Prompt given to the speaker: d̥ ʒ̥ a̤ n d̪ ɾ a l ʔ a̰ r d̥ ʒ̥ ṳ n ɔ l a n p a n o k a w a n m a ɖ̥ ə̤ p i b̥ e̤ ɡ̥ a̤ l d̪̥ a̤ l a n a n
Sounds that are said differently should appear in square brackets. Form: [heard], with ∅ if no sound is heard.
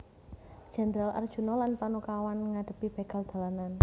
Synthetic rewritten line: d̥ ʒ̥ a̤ n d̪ ɾ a l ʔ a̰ r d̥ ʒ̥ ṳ n ɔ l a n p a n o k a w a n [ŋ] a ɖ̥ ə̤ p i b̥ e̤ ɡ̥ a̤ l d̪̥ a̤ l a n a n